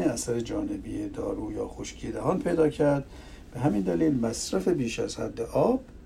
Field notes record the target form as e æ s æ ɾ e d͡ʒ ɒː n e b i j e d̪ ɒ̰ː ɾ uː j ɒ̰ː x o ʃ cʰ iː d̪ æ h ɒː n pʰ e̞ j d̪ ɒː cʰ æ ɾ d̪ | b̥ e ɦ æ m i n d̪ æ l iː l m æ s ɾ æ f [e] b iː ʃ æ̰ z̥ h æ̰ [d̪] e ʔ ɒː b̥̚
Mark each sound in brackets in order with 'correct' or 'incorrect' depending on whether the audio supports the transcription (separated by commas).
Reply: correct, incorrect